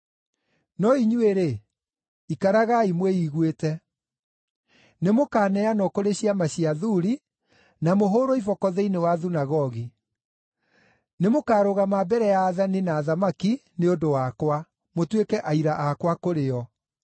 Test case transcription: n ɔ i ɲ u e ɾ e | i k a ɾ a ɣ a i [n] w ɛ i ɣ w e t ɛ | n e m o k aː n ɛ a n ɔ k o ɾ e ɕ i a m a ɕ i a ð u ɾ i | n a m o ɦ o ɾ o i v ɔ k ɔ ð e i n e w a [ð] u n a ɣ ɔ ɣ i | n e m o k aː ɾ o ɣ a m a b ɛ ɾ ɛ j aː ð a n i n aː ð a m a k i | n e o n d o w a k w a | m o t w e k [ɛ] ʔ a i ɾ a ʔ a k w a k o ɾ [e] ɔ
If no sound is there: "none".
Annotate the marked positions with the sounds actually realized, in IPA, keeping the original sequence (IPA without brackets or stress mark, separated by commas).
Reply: m, ð, ɛ, e